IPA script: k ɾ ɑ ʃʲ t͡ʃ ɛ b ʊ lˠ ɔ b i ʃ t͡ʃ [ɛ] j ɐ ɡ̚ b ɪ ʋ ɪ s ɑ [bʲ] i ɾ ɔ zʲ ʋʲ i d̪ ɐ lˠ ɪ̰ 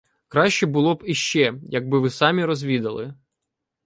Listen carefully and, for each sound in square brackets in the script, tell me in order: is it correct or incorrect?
correct, incorrect

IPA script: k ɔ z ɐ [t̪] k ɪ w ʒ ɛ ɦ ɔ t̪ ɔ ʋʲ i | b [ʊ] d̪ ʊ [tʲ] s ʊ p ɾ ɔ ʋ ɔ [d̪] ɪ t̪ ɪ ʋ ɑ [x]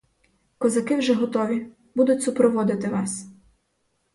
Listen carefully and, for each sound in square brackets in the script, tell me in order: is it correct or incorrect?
incorrect, incorrect, correct, correct, incorrect

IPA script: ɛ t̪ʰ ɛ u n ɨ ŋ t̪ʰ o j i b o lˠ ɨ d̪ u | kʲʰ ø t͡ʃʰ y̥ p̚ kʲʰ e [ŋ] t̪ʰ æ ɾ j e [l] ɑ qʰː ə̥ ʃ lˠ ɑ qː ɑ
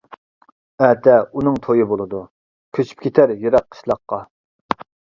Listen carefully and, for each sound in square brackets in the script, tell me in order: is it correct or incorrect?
incorrect, incorrect

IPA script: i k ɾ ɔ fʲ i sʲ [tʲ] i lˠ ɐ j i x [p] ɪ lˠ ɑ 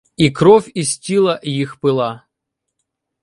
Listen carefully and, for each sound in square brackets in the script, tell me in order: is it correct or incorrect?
correct, correct

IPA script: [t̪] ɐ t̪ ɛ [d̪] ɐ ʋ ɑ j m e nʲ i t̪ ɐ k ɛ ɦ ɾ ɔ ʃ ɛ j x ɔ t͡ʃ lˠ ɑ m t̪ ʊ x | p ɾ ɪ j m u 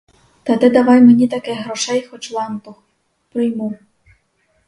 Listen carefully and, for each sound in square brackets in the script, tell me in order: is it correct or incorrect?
correct, correct

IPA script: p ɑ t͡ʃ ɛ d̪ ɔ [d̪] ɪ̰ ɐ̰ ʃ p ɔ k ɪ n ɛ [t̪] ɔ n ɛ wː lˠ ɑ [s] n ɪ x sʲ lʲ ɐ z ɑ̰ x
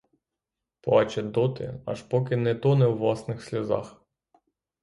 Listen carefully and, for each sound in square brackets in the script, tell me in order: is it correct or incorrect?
incorrect, correct, correct

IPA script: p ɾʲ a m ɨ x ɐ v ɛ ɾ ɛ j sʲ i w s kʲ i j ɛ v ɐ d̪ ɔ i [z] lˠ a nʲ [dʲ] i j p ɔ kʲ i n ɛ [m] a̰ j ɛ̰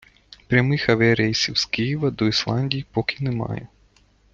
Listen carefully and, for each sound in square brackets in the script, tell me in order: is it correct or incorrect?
incorrect, correct, correct

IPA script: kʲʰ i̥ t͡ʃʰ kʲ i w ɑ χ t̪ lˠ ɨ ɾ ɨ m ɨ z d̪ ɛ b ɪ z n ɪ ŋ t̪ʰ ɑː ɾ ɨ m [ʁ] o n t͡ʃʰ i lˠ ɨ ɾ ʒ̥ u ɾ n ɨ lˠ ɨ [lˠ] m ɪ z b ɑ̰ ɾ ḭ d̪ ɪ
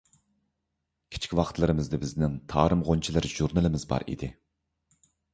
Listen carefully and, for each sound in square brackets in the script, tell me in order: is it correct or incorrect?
correct, incorrect

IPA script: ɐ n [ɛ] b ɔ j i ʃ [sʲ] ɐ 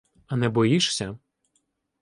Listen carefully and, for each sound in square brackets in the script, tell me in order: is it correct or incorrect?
correct, correct

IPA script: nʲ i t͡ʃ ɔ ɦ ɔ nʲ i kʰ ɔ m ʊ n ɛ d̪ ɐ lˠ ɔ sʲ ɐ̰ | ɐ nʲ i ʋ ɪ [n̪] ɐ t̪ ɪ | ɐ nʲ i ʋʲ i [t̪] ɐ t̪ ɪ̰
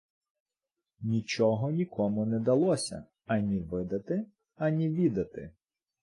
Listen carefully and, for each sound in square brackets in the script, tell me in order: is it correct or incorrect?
incorrect, incorrect

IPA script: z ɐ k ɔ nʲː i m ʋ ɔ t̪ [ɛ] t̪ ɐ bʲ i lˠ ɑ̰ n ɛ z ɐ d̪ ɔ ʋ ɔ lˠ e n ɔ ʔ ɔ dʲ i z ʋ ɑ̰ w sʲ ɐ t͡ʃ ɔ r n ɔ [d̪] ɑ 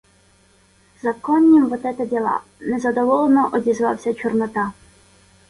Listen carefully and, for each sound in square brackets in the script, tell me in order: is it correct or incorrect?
correct, incorrect

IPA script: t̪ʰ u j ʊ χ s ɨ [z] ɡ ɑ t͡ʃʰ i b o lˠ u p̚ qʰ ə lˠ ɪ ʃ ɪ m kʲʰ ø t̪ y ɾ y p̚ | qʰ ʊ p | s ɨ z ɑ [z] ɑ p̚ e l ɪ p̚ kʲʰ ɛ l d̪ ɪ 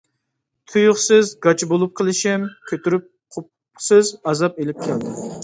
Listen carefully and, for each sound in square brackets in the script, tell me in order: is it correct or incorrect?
correct, correct

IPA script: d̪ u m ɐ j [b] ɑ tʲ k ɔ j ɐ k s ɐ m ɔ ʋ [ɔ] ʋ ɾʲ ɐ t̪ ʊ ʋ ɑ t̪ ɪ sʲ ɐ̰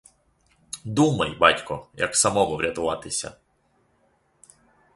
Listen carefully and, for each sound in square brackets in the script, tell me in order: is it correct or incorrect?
correct, correct

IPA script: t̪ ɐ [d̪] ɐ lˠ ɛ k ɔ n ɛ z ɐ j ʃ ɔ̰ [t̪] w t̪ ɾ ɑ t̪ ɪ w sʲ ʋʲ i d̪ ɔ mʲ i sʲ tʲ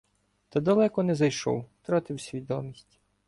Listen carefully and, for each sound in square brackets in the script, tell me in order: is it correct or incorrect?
correct, incorrect

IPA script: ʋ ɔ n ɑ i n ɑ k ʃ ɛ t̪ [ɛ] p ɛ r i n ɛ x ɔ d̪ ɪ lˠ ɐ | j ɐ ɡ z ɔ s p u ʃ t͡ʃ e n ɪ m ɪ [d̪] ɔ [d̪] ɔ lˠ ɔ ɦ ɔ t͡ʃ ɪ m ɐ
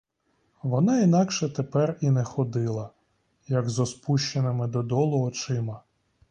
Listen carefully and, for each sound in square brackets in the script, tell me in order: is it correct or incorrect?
incorrect, correct, correct

